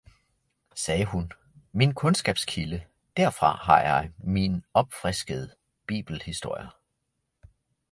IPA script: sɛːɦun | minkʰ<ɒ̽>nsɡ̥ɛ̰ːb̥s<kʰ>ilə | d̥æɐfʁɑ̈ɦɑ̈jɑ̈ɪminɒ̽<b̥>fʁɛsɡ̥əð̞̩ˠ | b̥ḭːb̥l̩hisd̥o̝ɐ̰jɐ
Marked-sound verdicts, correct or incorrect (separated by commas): incorrect, correct, correct